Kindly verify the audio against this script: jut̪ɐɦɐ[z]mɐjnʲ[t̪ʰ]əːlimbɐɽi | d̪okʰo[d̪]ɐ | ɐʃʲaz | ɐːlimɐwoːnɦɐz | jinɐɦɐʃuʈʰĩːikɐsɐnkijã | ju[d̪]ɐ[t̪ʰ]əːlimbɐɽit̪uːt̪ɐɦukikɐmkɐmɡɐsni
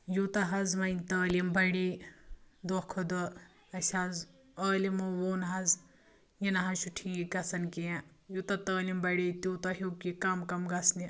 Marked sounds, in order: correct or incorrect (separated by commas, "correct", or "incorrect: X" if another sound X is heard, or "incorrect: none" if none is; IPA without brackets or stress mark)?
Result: correct, incorrect: t̪, correct, incorrect: t̪, incorrect: t̪